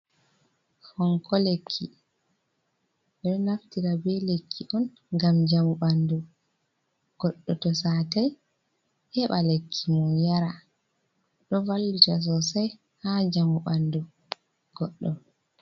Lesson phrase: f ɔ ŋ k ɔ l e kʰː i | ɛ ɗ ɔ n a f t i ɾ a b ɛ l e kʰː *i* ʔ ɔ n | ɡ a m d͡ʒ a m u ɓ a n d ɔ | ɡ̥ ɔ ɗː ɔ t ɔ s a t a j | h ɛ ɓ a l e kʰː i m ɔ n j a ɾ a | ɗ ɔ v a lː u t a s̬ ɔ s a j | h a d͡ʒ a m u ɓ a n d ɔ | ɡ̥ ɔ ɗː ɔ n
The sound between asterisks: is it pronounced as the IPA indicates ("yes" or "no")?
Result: yes